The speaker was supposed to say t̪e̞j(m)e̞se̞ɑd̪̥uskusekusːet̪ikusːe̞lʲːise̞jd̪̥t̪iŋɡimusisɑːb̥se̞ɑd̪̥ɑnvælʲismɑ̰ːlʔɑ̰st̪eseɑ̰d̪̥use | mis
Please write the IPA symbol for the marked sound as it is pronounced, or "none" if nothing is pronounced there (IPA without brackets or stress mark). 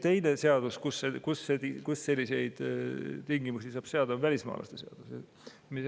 n